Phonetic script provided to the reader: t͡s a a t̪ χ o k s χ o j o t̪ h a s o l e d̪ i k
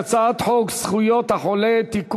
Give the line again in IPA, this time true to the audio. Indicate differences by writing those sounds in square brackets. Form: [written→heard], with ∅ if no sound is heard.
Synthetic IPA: t͡s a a t̪ [χ→ħ] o k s χ [o→u] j o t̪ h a [s→ħ] o l e [d̪→t̪] i k